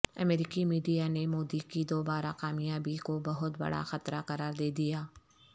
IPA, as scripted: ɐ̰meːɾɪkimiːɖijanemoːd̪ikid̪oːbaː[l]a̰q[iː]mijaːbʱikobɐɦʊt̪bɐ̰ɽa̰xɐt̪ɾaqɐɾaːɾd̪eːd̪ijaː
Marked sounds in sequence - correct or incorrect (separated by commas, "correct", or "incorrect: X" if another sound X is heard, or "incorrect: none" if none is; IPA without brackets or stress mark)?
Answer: incorrect: ɾ, incorrect: aː